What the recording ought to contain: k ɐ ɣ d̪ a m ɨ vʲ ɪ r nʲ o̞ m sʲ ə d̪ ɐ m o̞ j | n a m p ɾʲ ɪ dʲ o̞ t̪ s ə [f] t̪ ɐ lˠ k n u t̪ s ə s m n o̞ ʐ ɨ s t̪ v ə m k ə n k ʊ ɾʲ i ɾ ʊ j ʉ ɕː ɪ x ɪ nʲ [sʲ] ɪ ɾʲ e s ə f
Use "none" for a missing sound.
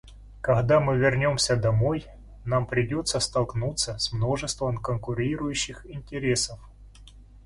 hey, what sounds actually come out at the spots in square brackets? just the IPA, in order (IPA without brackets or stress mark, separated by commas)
s, tʲ